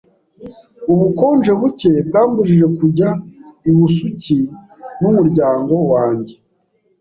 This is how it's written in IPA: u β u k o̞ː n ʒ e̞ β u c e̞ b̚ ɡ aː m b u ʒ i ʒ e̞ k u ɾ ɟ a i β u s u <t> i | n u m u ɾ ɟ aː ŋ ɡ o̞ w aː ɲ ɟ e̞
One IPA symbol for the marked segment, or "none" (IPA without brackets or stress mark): c